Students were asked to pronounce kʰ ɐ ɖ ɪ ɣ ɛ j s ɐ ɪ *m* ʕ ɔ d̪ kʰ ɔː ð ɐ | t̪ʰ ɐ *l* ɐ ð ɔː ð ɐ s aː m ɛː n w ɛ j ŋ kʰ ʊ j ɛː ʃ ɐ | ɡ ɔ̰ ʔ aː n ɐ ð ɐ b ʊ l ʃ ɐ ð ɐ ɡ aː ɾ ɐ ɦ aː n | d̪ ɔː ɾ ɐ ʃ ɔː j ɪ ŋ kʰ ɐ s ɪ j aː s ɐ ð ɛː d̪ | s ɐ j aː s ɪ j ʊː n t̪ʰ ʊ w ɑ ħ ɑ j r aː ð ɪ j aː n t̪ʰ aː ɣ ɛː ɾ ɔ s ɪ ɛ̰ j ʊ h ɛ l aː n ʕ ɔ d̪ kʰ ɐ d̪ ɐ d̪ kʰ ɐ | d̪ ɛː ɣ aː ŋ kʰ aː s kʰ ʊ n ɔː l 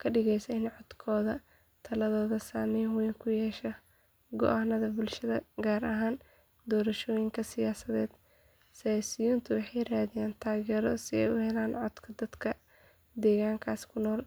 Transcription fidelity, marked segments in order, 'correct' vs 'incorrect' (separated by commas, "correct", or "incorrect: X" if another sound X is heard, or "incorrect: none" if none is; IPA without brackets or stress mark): incorrect: n, correct